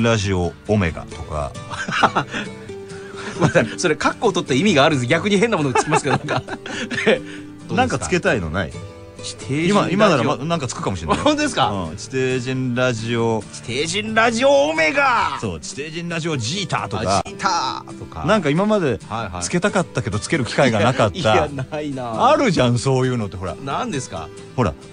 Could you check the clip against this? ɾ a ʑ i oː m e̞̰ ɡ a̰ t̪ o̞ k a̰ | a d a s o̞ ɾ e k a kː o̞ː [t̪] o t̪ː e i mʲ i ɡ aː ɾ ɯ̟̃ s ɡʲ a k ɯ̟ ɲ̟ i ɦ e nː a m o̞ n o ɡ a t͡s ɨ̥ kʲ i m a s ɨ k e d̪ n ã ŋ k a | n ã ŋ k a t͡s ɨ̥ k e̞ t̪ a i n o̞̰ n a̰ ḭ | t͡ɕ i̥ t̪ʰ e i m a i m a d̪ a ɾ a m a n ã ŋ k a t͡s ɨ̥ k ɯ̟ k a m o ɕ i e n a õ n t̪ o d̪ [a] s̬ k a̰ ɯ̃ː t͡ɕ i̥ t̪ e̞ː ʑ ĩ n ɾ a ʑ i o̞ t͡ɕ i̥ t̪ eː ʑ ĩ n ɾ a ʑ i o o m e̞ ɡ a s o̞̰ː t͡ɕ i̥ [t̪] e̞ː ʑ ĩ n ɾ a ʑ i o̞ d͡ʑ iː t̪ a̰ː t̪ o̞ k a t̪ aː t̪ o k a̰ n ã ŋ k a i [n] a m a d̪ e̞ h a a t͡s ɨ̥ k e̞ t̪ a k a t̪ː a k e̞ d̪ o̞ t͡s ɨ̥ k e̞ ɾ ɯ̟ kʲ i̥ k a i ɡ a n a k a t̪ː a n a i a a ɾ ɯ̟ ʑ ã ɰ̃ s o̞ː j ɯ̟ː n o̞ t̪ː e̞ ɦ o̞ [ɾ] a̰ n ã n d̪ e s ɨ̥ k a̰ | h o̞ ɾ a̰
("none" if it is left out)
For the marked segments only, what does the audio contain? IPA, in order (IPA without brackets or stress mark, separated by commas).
t̪, e, t̪, m, ɾ